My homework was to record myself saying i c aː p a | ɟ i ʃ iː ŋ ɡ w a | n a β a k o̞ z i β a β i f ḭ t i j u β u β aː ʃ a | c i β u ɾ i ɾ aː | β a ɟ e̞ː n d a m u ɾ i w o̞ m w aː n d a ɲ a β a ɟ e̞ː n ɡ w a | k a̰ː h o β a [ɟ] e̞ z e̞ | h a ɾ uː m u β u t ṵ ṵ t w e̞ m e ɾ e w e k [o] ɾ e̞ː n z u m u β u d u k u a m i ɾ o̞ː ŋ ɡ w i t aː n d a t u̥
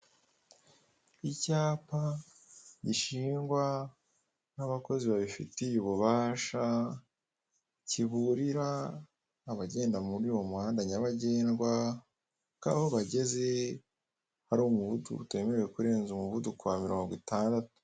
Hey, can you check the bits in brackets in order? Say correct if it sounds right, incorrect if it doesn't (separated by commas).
correct, incorrect